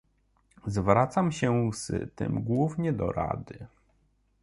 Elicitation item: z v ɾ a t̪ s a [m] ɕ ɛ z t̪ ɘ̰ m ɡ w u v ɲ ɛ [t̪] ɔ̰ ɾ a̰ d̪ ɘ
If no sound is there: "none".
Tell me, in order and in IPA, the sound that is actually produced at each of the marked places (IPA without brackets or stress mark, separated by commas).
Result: m, d̪